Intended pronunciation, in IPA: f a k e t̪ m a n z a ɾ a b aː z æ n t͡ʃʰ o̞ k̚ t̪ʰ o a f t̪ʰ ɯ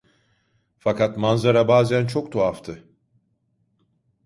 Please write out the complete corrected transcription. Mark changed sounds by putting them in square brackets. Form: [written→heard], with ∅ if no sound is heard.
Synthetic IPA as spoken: f a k [e→a] t̪ m a n z a ɾ a b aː z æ n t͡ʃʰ o̞ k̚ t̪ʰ o a f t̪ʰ ɯ